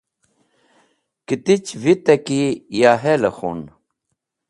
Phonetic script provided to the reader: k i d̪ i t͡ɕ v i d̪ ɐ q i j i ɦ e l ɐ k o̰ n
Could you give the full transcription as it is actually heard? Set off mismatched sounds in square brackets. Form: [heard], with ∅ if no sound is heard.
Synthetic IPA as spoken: k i [t̪] i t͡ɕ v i [t̪] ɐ [k] i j [a] ɦ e l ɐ [x] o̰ n